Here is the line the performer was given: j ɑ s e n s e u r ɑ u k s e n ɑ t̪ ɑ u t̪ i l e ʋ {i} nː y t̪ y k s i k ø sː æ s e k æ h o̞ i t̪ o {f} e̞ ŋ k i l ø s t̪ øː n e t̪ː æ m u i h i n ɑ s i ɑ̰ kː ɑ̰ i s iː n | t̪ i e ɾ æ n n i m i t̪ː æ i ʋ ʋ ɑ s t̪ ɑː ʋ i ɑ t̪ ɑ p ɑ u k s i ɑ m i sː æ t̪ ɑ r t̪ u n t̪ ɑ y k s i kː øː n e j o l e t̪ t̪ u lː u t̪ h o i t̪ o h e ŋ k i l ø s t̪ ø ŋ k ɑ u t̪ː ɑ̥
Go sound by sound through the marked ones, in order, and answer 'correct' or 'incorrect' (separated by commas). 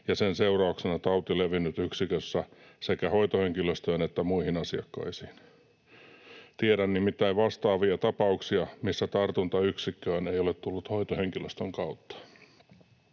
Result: correct, incorrect